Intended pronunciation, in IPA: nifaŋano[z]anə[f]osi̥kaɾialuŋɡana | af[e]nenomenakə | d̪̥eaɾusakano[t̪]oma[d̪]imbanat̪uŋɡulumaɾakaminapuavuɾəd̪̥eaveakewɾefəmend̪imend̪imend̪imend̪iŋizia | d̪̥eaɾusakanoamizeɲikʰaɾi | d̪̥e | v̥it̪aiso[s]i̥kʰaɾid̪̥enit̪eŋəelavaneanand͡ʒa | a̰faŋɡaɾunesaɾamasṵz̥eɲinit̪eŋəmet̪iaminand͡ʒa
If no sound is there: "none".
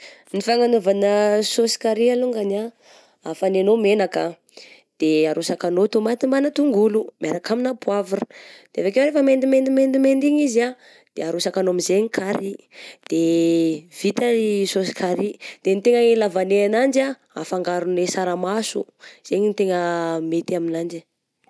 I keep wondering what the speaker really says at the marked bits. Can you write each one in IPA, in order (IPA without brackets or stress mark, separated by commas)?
v, s, a, t̪, t̪, s